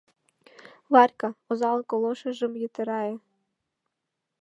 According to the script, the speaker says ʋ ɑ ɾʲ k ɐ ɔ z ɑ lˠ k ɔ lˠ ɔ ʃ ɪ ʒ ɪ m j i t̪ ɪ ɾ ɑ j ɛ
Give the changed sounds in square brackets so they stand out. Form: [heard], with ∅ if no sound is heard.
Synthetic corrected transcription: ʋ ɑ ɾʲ k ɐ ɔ z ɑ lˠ k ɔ lˠ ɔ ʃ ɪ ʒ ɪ m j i t̪ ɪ ɾ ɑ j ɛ